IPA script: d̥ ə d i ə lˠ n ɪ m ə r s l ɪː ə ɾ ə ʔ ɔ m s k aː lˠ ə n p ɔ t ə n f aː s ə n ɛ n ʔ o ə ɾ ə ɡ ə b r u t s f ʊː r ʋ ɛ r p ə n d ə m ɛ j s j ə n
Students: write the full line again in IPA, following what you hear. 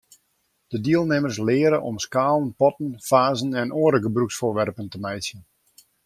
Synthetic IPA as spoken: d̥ ə d i ə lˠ n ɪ m ə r s l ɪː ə ɾ ə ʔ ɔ m s k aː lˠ ə n p ɔ t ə n f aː z ə n ɛ n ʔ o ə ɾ ə ɡ ə b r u k s f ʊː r ʋ ɛ r p ə n t ə m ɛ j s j ə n